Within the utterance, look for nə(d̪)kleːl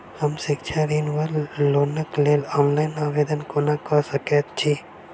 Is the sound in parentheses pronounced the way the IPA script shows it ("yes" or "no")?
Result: no